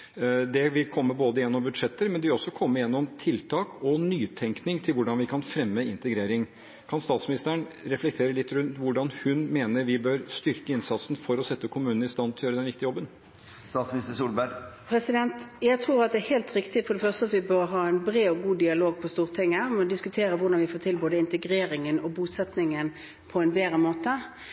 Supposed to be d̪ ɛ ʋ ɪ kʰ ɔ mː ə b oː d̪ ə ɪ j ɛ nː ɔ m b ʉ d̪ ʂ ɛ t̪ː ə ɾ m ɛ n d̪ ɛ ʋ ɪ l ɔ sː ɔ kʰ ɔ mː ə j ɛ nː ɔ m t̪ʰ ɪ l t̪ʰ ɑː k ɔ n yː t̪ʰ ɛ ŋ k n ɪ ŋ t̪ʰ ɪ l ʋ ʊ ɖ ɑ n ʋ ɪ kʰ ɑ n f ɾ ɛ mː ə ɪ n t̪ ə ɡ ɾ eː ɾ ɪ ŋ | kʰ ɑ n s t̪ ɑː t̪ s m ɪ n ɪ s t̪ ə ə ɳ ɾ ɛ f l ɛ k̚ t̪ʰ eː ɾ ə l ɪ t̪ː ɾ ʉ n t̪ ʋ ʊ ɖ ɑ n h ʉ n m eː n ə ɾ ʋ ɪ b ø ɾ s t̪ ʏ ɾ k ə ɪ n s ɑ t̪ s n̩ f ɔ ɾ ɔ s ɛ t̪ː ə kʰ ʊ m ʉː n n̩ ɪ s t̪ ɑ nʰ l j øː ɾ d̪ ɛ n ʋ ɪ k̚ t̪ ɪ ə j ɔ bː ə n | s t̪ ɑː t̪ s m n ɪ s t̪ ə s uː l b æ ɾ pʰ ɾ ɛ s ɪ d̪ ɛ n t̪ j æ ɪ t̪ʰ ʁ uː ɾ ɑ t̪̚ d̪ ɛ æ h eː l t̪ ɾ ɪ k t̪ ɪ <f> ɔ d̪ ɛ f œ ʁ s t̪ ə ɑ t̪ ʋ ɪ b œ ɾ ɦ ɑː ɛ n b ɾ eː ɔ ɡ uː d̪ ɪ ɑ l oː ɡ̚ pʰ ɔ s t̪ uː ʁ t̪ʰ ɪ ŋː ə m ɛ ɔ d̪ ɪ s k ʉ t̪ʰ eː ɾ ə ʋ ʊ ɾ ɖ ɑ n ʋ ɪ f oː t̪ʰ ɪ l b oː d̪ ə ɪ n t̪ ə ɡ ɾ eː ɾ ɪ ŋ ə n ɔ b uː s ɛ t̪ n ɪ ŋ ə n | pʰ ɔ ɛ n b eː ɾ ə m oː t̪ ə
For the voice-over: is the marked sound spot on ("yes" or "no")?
yes